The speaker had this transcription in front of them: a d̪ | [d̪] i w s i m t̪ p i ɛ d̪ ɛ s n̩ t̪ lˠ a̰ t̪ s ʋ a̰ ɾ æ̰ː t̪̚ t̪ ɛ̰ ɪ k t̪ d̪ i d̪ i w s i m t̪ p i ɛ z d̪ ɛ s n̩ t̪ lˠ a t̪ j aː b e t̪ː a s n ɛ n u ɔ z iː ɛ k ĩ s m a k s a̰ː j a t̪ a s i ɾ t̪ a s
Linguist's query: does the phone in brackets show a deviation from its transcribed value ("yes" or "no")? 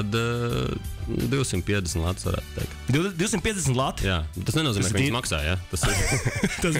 no